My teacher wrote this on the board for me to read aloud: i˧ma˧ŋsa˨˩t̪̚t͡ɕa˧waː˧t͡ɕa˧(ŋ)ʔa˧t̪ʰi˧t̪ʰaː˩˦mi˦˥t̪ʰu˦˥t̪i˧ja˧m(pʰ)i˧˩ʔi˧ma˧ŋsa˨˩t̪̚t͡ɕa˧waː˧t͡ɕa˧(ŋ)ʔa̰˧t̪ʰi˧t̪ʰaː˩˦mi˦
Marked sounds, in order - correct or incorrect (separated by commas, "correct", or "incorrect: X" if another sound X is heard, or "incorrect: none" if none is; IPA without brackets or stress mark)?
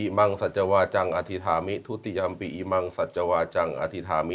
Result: correct, incorrect: p, correct